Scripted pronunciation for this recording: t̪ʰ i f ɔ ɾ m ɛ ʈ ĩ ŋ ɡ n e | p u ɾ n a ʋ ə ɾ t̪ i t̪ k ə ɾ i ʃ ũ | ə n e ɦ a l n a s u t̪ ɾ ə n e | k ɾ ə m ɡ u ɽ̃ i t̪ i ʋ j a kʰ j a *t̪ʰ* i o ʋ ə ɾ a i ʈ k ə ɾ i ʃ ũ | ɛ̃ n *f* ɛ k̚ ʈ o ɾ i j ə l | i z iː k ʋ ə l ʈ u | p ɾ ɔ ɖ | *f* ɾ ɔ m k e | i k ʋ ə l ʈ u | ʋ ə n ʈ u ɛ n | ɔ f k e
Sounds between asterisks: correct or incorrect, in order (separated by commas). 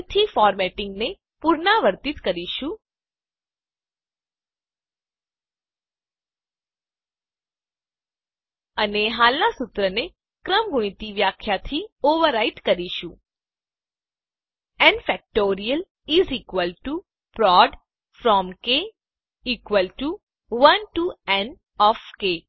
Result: correct, correct, correct